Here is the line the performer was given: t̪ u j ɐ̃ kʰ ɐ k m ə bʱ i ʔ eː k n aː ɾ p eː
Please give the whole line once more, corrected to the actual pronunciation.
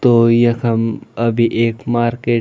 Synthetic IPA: t̪ o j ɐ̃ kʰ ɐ m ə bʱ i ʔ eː k m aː ɾ k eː